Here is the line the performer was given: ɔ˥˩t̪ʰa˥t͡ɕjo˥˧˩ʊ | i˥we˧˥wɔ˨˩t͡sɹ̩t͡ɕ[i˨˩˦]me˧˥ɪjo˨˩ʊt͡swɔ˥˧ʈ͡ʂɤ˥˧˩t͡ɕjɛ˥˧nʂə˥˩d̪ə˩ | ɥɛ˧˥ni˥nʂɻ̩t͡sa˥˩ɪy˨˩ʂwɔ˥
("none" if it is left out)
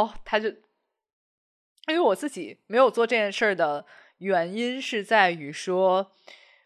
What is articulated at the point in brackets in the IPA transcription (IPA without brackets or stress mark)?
i˨˩˦